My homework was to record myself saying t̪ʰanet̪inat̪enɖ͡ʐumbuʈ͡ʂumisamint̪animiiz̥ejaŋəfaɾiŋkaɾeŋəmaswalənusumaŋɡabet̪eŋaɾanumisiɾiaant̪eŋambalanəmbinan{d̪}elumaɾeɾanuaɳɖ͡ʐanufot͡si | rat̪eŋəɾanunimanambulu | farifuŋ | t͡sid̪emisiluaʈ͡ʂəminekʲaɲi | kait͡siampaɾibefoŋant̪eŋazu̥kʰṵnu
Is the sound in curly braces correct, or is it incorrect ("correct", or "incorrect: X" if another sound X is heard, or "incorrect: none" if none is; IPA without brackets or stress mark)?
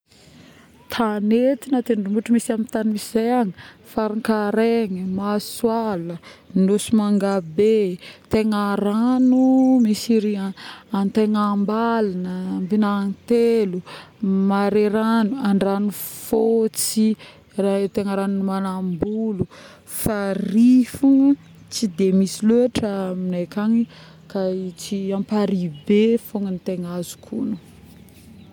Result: incorrect: t̪